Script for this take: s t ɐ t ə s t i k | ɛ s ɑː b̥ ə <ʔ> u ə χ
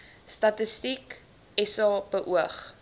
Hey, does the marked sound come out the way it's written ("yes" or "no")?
yes